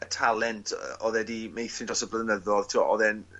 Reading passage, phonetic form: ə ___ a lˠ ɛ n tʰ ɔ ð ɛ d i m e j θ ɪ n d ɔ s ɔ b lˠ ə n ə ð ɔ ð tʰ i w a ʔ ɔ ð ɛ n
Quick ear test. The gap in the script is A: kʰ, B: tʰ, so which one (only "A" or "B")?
B